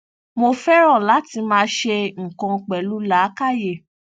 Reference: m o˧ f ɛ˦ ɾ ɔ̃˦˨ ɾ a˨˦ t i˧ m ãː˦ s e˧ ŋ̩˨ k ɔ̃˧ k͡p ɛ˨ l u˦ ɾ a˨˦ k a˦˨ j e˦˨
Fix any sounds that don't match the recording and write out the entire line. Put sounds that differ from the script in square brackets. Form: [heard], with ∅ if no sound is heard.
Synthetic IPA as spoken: m o˧ f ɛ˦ ɾ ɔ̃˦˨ [l] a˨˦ t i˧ m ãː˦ [ʃ] e˧ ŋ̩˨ k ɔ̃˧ k͡p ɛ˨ l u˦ [l] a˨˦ k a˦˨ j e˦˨